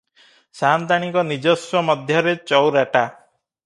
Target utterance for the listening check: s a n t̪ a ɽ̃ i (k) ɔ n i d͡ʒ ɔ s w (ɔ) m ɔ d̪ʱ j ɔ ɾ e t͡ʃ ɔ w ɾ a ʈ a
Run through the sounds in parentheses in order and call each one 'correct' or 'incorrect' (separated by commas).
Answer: correct, correct